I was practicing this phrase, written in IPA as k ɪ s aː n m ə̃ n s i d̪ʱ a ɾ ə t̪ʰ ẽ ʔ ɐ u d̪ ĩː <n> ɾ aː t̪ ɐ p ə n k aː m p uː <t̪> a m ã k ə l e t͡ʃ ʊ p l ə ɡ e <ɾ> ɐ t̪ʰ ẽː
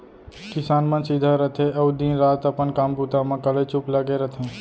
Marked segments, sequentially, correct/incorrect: correct, correct, correct

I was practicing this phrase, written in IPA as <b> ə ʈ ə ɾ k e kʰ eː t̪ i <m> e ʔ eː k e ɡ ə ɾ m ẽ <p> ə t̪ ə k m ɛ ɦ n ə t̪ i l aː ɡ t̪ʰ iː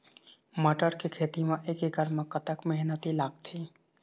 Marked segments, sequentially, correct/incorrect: incorrect: m, correct, incorrect: k

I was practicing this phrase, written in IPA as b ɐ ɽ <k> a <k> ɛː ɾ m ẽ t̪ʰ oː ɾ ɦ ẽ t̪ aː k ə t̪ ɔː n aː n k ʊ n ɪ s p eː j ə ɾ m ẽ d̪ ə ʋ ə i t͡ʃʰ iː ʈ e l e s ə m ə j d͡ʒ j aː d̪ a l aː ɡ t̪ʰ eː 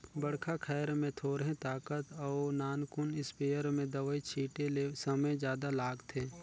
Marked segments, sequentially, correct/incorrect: incorrect: kʰ, incorrect: kʰ

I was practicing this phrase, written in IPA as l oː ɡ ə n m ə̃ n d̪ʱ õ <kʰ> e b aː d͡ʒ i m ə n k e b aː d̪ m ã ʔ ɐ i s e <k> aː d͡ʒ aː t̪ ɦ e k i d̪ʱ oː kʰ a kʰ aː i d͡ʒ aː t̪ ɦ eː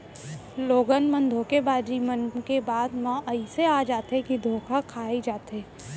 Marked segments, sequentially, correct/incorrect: incorrect: k, incorrect: none

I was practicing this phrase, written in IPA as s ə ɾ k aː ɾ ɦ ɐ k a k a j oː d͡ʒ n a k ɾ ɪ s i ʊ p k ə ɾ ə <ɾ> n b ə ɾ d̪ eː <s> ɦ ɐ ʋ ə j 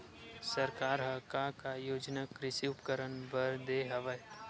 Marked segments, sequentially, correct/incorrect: incorrect: none, incorrect: none

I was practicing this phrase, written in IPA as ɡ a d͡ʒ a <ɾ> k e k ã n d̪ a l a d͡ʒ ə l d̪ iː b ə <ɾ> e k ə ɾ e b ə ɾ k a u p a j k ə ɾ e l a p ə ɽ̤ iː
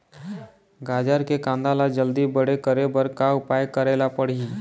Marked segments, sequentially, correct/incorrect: correct, incorrect: ɽ

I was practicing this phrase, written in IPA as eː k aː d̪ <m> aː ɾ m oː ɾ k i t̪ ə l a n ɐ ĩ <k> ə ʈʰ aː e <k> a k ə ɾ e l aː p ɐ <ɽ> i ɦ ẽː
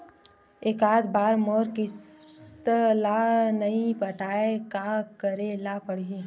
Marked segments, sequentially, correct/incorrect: incorrect: b, incorrect: p, correct, correct

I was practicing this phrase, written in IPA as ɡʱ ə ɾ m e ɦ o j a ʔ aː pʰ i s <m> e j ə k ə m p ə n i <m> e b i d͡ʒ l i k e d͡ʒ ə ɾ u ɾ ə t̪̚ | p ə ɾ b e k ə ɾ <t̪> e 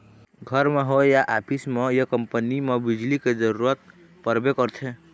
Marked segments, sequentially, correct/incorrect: correct, correct, incorrect: t̪ʰ

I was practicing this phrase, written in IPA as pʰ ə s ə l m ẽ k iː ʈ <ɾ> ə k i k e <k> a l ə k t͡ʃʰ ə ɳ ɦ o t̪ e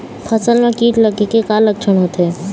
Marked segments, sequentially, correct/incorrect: incorrect: l, correct

